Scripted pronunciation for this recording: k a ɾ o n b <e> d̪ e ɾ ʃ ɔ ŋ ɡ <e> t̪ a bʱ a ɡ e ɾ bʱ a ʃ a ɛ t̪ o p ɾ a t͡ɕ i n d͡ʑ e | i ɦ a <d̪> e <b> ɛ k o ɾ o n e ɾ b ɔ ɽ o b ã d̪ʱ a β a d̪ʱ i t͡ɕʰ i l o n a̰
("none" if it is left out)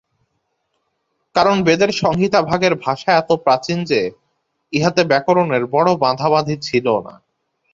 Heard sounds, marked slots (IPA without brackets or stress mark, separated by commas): e, i, t̪, b